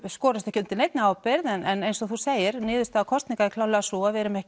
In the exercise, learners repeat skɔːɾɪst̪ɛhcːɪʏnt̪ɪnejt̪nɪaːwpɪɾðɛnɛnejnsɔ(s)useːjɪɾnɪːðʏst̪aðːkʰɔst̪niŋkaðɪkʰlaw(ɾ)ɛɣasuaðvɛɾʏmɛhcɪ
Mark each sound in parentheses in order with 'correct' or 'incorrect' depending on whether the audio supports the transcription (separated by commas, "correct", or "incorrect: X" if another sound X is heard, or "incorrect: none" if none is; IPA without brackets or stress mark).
incorrect: θ, incorrect: l